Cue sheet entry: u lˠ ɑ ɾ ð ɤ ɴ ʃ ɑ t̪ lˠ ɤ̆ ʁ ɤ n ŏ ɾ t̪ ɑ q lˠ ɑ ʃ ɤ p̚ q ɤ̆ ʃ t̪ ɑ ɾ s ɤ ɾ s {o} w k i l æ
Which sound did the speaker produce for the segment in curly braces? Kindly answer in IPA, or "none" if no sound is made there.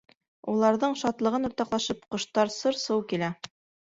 ɤ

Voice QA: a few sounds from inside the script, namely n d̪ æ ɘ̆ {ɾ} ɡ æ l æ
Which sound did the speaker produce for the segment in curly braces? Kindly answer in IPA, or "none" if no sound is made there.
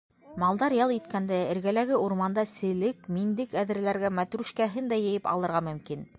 ɾ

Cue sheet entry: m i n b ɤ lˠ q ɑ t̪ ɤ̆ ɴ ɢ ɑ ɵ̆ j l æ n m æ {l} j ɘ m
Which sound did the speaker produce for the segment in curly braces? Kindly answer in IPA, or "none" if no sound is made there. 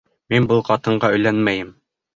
none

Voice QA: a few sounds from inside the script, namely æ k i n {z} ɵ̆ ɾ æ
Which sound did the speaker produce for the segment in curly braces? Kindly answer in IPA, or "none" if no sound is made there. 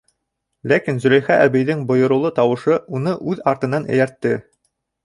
z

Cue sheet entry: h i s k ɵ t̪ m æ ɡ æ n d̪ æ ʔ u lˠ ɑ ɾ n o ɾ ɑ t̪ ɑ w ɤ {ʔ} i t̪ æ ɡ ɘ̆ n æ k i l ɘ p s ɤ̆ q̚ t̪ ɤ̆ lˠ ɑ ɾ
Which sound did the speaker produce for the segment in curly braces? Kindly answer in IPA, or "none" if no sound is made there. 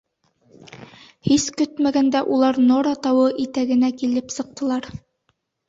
ʔ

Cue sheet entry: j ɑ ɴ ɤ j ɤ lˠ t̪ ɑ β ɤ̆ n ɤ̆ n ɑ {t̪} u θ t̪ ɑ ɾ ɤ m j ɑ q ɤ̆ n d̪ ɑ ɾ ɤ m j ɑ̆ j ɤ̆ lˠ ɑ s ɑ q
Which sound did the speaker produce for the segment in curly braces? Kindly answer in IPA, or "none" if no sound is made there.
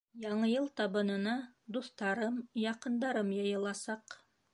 d̪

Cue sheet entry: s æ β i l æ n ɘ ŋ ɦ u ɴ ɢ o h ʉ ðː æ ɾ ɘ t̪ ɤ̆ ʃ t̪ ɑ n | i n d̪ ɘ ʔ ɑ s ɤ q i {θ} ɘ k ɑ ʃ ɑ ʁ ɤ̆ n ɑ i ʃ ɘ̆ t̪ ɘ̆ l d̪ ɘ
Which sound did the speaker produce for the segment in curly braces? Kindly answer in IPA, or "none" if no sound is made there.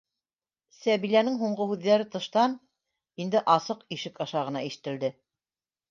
ʃ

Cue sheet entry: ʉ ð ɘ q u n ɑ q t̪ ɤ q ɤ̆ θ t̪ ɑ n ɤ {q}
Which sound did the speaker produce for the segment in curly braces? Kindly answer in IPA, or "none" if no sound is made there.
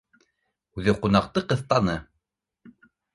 none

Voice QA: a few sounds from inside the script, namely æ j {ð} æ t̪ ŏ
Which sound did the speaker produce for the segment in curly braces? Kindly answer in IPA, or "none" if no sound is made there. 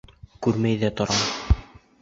ð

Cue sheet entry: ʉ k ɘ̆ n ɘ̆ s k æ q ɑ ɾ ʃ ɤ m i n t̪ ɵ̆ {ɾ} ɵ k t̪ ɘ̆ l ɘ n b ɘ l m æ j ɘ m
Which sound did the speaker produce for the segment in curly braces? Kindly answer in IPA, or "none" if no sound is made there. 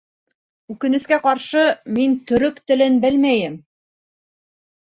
ɾ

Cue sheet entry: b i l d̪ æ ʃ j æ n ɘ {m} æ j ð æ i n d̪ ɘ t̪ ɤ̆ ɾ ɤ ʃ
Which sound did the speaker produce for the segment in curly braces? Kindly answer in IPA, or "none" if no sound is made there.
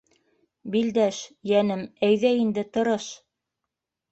m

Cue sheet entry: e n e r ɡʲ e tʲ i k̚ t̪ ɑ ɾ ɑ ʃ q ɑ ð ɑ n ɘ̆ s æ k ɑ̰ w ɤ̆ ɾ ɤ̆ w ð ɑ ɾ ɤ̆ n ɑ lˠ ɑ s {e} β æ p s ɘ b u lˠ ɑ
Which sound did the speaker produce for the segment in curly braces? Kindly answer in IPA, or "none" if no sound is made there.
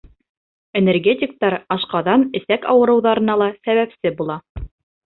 æ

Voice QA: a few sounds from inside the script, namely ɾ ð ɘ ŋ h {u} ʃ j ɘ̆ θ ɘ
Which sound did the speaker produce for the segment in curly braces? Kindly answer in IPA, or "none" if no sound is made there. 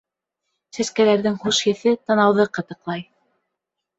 u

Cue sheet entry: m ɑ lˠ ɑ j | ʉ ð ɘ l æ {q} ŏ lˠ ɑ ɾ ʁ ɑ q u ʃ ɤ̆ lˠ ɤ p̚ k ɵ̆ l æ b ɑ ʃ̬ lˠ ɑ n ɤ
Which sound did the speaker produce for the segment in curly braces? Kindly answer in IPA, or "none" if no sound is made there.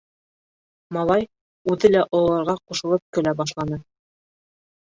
ʔ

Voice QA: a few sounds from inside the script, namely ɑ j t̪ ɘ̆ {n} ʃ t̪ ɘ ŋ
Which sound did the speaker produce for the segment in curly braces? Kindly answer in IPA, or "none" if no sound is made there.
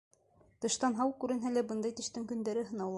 none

